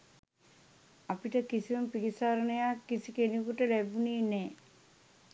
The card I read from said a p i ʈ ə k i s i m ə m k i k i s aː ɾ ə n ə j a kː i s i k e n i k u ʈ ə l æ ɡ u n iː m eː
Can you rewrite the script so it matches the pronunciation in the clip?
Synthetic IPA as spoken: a p i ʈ ə k i s i m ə m p i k i s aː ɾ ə n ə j a kː i s i k e n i k u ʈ ə l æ b u n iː n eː